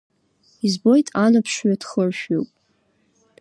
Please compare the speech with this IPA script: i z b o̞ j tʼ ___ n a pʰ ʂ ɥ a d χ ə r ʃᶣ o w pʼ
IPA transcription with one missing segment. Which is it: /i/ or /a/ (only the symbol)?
a